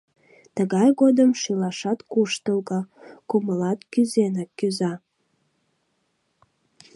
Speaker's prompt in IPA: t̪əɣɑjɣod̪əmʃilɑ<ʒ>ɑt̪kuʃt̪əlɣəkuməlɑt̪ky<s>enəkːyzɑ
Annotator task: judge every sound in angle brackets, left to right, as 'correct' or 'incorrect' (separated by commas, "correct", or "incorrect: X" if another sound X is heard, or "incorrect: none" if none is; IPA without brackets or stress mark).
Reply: incorrect: ʃ, incorrect: z